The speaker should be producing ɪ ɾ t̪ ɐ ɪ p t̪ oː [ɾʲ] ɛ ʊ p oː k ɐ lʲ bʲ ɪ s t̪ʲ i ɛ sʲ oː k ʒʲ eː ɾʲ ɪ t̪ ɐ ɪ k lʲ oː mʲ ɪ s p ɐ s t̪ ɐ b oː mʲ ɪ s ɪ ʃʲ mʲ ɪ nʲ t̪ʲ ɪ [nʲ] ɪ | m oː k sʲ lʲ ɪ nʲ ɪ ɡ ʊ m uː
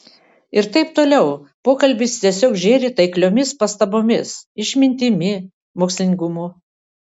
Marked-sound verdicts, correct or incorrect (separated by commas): incorrect, incorrect